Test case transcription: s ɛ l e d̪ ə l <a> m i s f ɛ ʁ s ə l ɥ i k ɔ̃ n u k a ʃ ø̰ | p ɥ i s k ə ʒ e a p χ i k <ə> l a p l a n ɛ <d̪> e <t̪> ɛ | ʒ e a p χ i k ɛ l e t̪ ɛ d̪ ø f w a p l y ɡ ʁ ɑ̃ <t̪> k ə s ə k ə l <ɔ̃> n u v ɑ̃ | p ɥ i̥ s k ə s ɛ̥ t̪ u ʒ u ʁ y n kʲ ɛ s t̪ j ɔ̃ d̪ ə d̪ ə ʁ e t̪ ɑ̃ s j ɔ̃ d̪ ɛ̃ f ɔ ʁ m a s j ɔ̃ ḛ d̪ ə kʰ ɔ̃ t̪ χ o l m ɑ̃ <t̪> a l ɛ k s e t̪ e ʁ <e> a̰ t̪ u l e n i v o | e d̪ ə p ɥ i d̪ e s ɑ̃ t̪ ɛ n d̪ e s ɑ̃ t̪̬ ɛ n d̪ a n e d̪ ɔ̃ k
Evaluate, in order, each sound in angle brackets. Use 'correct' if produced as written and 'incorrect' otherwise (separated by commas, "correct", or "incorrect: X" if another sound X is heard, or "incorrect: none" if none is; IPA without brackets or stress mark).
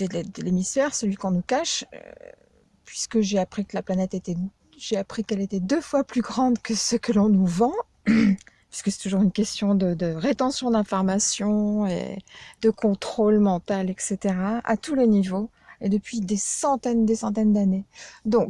incorrect: e, correct, incorrect: t̪, correct, incorrect: d̪, correct, correct, incorrect: a